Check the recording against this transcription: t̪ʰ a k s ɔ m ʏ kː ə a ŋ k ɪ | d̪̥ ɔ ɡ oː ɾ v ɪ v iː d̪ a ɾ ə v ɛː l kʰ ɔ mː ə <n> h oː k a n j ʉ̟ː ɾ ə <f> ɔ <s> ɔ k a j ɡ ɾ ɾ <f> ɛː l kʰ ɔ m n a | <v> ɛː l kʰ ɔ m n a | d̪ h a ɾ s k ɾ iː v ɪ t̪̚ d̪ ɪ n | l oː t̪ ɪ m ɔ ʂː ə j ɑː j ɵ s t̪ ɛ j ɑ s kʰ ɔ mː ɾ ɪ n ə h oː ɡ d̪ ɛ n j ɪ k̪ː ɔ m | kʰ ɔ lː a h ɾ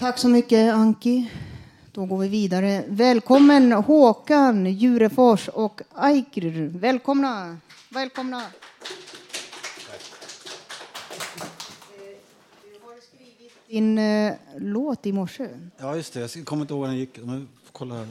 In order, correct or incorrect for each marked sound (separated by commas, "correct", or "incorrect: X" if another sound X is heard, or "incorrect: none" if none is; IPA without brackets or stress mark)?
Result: correct, correct, incorrect: ʂ, incorrect: v, correct